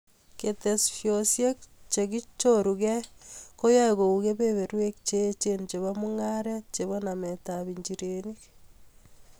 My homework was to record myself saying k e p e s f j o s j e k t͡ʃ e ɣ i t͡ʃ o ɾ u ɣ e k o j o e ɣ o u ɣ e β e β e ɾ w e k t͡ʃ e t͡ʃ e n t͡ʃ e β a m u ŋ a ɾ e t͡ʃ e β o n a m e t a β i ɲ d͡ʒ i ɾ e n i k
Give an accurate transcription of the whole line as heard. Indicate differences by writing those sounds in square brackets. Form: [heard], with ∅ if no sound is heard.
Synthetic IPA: k e [t] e s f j o s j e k t͡ʃ e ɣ i t͡ʃ o ɾ u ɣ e k o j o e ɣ o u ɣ e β e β e ɾ w e k t͡ʃ e t͡ʃ e n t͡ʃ e β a m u ŋ a ɾ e t͡ʃ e β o n a m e t a β i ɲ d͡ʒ i ɾ e n i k